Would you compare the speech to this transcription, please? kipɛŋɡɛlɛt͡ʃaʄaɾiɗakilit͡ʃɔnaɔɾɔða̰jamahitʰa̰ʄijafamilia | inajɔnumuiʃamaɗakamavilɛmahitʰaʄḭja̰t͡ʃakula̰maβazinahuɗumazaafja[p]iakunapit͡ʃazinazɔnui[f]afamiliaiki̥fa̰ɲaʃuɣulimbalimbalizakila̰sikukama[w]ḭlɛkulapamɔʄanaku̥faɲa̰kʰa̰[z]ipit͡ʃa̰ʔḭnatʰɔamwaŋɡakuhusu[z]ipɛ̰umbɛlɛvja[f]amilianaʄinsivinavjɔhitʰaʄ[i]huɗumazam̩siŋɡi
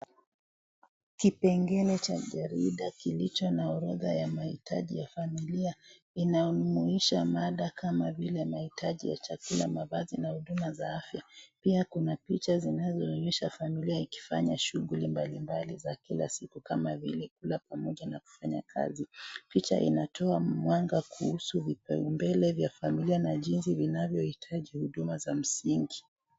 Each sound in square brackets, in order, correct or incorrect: correct, incorrect: ʃ, incorrect: v, correct, incorrect: v, correct, correct

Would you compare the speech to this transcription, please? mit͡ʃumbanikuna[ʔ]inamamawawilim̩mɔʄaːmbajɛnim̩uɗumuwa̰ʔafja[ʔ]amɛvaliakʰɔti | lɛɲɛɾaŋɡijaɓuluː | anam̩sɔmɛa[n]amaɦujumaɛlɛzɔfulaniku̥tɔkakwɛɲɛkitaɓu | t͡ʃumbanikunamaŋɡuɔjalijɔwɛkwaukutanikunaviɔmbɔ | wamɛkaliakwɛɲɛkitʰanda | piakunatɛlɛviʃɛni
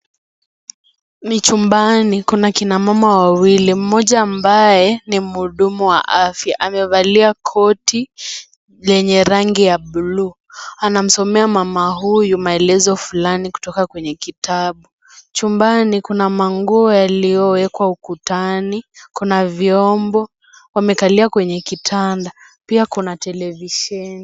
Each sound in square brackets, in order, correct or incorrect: incorrect: k, correct, incorrect: m

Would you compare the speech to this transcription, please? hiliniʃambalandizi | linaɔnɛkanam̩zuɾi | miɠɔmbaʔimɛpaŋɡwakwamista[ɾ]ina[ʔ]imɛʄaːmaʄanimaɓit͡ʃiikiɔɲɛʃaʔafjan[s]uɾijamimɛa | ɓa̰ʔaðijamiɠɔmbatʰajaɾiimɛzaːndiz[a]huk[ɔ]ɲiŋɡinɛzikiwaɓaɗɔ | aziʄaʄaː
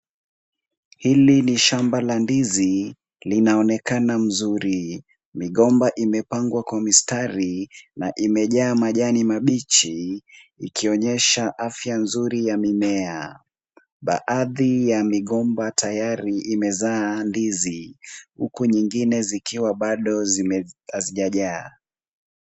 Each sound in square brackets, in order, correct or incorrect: correct, correct, incorrect: z, incorrect: i, incorrect: u

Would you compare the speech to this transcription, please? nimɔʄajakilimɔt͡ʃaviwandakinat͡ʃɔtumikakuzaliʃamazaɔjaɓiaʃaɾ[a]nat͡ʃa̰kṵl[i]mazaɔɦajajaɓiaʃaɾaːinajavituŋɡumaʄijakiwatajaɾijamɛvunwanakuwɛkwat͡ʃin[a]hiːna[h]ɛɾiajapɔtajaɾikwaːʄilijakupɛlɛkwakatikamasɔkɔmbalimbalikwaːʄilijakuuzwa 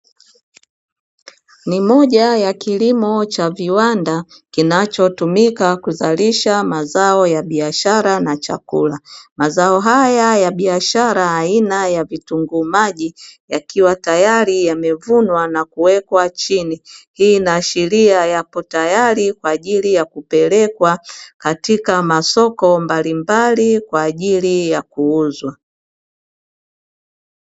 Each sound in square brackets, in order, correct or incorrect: correct, incorrect: a, incorrect: i, incorrect: ʃ

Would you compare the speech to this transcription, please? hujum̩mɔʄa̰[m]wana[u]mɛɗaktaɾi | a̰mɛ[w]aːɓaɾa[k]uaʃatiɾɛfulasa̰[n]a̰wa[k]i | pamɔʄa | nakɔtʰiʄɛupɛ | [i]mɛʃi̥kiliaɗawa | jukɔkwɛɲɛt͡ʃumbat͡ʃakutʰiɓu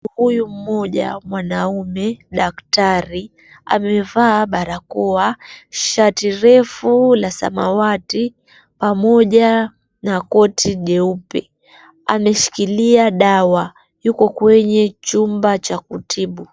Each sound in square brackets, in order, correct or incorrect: correct, correct, incorrect: v, correct, incorrect: m, incorrect: t, incorrect: a

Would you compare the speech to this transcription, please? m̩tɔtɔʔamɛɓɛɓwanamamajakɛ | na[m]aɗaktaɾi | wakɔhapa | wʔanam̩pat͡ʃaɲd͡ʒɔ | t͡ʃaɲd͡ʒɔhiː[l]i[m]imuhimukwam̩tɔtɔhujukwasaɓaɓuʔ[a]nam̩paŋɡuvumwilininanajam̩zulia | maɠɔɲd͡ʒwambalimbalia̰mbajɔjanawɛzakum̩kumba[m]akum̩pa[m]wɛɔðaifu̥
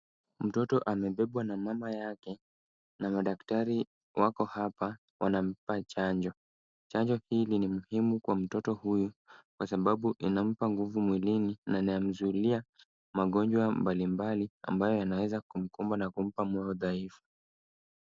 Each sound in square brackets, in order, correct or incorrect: correct, correct, incorrect: n, incorrect: i, incorrect: n, correct

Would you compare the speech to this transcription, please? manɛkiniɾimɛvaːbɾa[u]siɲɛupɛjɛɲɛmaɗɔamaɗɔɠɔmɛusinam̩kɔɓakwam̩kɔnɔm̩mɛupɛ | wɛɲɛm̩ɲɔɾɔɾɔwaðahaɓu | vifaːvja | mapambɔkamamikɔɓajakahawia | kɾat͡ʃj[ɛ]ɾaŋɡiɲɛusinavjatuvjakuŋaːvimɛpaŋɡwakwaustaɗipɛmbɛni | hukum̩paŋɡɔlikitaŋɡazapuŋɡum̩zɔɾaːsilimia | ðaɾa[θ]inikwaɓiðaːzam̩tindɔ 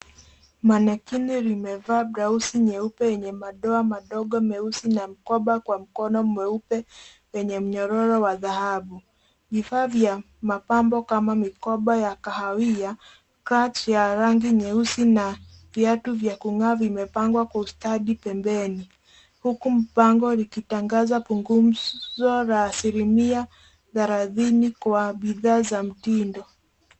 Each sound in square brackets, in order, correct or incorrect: correct, incorrect: a, incorrect: ð

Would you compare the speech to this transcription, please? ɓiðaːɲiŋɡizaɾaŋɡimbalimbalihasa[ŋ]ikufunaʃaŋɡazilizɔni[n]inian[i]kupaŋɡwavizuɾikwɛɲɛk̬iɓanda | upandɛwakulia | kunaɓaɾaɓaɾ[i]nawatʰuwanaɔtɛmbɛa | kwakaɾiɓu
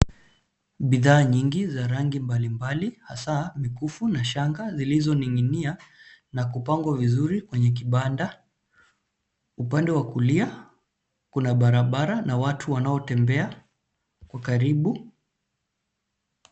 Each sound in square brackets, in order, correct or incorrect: incorrect: m, incorrect: ŋ, incorrect: a, incorrect: a

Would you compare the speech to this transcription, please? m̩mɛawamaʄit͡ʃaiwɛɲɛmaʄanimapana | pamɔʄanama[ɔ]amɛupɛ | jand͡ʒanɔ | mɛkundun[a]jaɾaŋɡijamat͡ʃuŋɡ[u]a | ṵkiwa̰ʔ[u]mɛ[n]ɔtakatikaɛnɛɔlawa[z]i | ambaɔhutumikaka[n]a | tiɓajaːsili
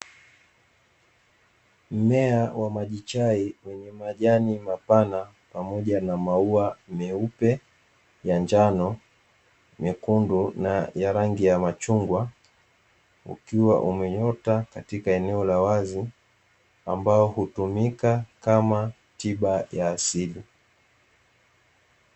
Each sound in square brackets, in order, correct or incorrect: incorrect: u, correct, incorrect: w, correct, incorrect: ɲ, correct, incorrect: m

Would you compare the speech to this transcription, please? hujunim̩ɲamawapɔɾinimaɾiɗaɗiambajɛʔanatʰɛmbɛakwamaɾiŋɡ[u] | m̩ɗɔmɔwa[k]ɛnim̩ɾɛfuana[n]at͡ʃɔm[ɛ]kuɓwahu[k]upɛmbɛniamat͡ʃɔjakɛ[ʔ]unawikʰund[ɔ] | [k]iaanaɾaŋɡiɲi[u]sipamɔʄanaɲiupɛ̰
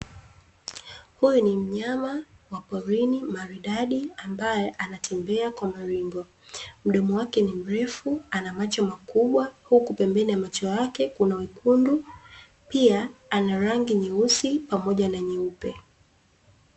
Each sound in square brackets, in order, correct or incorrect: incorrect: ɔ, correct, incorrect: m, incorrect: a, correct, incorrect: k, incorrect: u, incorrect: p, correct

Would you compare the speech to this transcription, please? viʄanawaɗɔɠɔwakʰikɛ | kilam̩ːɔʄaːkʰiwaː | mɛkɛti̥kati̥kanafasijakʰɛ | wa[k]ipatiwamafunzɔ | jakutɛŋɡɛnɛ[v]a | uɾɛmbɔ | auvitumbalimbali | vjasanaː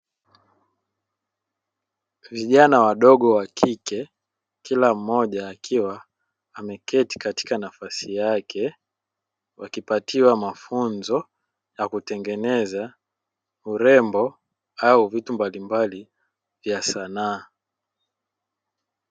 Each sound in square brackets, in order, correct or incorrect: correct, incorrect: z

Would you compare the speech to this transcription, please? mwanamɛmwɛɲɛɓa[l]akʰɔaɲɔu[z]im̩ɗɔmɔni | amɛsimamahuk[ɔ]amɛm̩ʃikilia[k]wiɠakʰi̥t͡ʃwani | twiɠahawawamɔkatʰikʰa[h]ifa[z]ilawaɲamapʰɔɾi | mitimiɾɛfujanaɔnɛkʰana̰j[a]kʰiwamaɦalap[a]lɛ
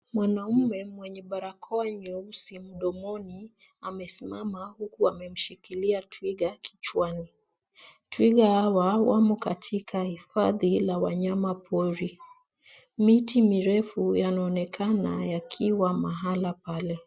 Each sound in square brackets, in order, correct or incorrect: incorrect: ɾ, incorrect: s, incorrect: u, incorrect: t, correct, incorrect: ð, correct, correct

